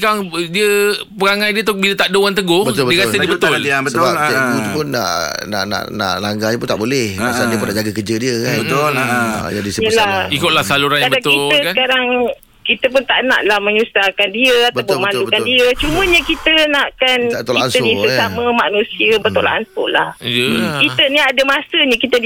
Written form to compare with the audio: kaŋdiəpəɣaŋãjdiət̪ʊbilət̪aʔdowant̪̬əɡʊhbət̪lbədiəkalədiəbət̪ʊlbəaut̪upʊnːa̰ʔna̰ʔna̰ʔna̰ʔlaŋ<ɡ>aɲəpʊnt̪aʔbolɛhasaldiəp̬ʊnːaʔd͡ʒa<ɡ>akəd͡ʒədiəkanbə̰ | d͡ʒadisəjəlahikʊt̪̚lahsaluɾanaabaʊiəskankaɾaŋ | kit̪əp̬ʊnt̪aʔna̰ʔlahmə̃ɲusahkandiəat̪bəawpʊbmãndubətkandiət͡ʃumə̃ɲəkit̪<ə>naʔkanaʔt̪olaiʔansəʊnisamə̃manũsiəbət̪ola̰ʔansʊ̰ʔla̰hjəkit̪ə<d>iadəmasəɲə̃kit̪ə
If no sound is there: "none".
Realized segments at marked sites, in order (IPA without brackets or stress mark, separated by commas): ɡ, ɡ, ə, n